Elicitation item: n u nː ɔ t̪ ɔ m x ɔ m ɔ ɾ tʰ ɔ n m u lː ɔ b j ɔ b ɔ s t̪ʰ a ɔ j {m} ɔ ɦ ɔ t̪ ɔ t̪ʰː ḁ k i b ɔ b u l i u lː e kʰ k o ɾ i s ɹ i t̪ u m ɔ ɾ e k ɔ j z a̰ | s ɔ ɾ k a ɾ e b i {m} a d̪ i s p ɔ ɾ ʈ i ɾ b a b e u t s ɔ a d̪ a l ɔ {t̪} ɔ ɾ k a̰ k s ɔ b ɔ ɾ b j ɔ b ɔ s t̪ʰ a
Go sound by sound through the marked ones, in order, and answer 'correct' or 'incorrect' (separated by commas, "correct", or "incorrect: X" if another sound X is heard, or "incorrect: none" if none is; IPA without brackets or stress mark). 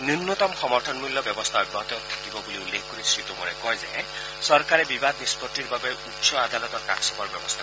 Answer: incorrect: b, incorrect: b, correct